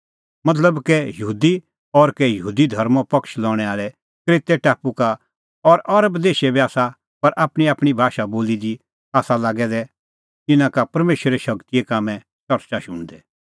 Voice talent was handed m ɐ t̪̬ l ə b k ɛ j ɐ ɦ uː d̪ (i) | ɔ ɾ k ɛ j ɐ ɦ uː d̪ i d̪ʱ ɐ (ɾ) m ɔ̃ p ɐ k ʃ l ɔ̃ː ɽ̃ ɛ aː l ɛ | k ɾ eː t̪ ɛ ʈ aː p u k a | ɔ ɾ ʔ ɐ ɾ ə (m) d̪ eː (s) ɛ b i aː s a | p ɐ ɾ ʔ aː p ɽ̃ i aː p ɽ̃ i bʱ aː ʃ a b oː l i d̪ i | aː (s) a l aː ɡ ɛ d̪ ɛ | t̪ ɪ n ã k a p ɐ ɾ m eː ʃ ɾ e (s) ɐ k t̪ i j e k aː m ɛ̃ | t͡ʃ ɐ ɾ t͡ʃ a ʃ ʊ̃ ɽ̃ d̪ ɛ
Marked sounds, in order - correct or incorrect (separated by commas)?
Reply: correct, correct, incorrect, incorrect, correct, incorrect